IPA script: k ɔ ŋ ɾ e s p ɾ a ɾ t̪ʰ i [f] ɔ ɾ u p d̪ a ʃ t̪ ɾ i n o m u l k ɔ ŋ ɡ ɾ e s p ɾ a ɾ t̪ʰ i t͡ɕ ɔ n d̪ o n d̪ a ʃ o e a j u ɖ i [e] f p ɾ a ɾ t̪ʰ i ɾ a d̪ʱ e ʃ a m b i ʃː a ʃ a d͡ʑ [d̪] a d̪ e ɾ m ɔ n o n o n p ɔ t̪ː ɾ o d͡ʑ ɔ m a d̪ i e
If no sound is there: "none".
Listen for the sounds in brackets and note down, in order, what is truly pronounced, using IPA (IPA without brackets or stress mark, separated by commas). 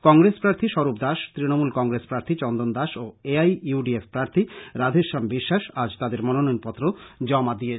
ʃ, e, t̪